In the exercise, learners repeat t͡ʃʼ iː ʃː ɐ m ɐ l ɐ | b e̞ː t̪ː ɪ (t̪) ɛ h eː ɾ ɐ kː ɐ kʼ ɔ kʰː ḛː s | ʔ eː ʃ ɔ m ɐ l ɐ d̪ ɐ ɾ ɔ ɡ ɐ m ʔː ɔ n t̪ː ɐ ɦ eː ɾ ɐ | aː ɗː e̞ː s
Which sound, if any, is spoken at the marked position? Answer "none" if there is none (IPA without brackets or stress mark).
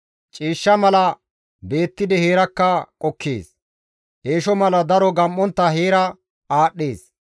d̪